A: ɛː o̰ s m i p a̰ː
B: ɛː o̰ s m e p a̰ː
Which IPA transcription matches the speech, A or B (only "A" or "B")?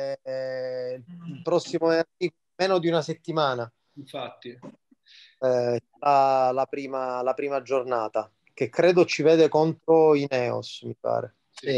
A